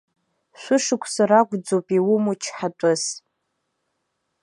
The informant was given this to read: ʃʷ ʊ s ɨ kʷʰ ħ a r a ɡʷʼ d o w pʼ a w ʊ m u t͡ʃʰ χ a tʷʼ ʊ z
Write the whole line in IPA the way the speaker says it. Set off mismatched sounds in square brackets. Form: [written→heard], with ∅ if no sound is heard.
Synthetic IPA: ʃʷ ʊ [s→ʂ] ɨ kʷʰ [ħ→s] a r a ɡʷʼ [d→d͡z] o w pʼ [a→i] w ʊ m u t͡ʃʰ [χ→ħ] a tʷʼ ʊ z